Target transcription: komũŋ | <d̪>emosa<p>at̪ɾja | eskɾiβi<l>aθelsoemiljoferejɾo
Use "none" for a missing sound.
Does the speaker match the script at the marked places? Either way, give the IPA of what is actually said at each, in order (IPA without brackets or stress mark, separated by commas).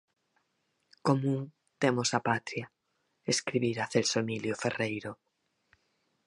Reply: t̪, p, ɾ